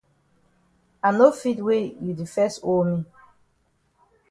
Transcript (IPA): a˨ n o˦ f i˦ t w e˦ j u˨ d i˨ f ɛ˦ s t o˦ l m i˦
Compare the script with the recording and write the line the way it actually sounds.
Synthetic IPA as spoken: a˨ n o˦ f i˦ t w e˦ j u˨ d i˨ f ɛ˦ s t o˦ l m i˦